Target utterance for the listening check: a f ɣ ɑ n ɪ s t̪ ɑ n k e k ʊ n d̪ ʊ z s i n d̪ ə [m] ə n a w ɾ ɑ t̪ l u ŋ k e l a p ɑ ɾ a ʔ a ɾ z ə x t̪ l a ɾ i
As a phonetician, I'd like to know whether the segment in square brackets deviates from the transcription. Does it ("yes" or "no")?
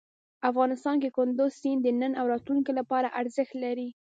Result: yes